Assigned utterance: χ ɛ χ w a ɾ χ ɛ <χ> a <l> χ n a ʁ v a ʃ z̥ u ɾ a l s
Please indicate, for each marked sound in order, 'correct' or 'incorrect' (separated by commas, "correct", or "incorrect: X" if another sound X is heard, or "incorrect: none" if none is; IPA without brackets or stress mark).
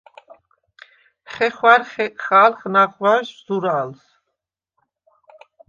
correct, correct